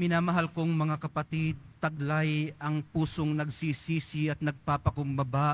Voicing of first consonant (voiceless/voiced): voiced